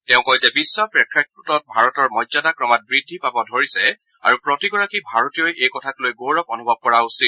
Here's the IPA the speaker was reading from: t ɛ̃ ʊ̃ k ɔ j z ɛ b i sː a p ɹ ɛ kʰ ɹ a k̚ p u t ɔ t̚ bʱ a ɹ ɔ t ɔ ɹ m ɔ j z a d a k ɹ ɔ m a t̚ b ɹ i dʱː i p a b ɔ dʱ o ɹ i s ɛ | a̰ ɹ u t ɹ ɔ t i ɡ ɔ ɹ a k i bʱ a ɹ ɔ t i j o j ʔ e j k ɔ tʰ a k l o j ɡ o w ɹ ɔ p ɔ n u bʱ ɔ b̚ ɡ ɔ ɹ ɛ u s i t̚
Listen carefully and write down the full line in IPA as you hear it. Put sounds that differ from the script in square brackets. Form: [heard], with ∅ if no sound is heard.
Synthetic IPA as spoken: t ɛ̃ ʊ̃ k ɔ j z ɛ b i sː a p ɹ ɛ kʰ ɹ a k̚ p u t ɔ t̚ bʱ a ɹ ɔ t ɔ ɹ m ɔ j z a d a k ɹ ɔ m a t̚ b ɹ i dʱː i p a b ɔ dʱ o ɹ i s ɛ | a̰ ɹ u [p] ɹ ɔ t i ɡ ɔ ɹ a k i bʱ a ɹ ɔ t i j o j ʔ e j k ɔ tʰ a k l o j ɡ o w ɹ ɔ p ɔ n u bʱ ɔ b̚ [k] ɔ ɹ [a] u s i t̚